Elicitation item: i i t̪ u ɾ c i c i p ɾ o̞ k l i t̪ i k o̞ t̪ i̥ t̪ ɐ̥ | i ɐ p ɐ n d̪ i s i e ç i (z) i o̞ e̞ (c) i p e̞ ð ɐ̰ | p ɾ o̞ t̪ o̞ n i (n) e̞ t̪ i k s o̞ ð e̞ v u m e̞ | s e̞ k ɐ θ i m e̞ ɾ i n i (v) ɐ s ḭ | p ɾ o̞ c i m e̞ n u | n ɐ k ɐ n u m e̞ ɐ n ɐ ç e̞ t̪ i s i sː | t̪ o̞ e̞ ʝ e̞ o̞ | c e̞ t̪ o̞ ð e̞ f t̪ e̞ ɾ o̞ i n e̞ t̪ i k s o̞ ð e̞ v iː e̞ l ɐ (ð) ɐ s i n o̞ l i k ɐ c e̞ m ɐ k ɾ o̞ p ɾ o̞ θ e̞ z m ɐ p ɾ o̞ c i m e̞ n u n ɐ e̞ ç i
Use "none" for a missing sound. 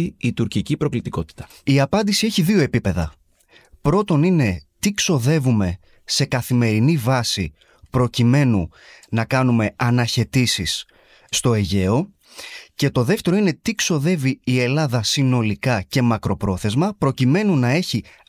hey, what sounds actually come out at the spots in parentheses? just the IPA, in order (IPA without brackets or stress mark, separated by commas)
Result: ð, p, n, v, ð